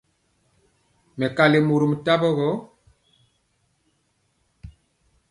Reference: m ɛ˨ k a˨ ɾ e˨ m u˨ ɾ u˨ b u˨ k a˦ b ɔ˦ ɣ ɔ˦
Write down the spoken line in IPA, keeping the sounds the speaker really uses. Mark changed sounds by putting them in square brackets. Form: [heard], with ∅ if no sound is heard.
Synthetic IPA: m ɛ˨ k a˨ [l] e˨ m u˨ ɾ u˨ [m] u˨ [t] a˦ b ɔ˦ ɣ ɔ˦